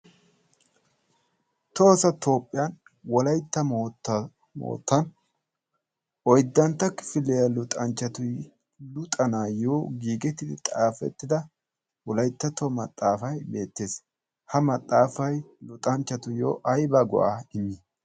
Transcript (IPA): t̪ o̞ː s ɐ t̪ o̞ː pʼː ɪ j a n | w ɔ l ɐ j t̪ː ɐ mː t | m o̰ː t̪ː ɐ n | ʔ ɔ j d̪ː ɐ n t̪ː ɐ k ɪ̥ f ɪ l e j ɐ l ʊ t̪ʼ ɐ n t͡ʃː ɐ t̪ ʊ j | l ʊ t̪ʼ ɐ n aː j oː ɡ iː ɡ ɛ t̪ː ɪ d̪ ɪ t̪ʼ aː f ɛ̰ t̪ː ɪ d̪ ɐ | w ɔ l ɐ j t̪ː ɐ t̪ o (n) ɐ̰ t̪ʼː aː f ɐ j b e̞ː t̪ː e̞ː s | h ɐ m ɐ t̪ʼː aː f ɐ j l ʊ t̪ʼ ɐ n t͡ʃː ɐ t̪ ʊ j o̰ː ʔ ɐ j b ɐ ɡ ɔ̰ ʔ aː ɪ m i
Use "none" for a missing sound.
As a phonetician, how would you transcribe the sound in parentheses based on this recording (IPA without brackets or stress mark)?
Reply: m